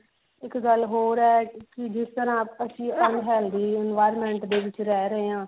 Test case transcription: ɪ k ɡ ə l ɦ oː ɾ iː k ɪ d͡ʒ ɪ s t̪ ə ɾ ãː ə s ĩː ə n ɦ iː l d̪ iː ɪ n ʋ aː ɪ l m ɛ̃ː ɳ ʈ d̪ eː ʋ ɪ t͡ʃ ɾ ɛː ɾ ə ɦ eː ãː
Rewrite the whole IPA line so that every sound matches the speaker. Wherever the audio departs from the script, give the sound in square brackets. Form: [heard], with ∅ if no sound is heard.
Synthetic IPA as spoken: ɪ k ɡ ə l ɦ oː ɾ [ɛː] k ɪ d͡ʒ ɪ s t̪ ə ɾ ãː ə s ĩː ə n ɦ [ɛː] l d̪ iː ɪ n ʋ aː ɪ [ɾ] m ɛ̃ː ɳ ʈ d̪ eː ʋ ɪ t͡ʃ ɾ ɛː ɾ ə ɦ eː ãː